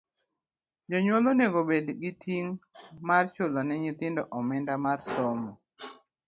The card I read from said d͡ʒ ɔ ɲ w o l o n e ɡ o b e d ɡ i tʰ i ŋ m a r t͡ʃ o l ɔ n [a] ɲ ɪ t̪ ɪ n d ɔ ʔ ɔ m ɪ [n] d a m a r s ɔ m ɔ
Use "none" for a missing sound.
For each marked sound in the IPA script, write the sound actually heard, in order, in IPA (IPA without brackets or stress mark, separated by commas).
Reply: ɛ, n